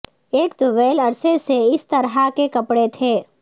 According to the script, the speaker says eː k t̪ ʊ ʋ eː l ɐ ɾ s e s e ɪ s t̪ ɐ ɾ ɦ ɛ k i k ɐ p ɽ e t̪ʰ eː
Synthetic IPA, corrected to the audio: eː k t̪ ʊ ʋ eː l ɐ ɾ s e s e ɪ s t̪ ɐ ɾ ɦ a k e k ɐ p ɽ e t̪ʰ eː